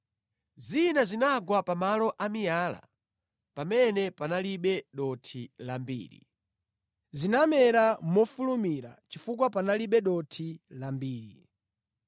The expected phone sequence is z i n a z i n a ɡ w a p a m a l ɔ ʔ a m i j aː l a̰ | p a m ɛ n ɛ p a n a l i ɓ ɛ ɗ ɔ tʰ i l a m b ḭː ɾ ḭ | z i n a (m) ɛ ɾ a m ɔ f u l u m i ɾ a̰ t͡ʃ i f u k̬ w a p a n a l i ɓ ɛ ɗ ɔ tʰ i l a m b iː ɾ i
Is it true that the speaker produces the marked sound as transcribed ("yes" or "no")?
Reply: yes